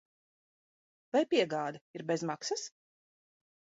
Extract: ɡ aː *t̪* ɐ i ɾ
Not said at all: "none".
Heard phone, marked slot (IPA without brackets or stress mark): d̪